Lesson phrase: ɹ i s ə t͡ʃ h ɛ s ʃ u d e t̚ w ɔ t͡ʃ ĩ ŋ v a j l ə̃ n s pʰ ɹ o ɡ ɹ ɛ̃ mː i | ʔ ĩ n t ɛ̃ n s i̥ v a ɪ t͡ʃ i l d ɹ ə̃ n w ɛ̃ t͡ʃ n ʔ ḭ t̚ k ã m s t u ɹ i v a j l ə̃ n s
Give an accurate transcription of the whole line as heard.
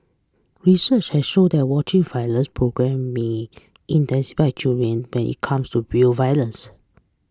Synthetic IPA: ɹ i s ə t͡ʃ h ɛ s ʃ o d ɛ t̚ w ɔ t͡ʃ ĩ ŋ v a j l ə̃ n s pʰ ɹ o ɡ ɹ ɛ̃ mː e | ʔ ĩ n t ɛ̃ n s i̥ f a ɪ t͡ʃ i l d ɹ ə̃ n w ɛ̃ n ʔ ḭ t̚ kʰ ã m s t u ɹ i v a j l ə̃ n s